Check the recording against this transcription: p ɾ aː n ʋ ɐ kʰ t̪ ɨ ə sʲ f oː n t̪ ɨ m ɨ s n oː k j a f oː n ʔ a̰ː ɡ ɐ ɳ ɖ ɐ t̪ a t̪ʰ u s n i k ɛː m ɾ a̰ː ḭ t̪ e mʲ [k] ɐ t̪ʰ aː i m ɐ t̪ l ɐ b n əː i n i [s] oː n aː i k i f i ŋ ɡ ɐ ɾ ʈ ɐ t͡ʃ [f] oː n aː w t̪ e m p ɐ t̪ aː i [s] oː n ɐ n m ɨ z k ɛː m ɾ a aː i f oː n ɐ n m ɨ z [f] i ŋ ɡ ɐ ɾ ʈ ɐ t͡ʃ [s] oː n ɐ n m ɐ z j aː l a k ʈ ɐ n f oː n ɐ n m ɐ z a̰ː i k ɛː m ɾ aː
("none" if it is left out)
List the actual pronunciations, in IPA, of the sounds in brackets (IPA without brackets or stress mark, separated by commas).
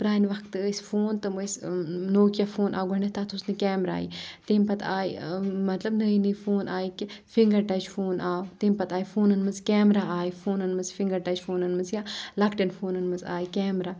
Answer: p, f, f, f, f, f